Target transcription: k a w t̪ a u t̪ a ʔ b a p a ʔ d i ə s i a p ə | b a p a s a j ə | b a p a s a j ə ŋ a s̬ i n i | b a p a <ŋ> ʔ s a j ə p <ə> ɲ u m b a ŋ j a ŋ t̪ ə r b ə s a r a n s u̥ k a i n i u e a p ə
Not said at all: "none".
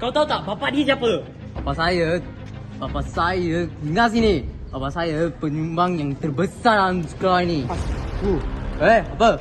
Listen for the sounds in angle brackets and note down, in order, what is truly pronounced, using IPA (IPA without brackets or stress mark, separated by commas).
none, ə